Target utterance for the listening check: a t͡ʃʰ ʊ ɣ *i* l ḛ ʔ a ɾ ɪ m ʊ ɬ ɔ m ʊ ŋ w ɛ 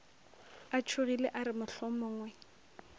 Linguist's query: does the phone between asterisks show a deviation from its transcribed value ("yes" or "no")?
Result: no